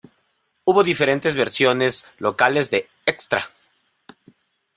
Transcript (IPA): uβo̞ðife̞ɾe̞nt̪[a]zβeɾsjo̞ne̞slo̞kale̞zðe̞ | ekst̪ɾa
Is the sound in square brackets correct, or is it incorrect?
incorrect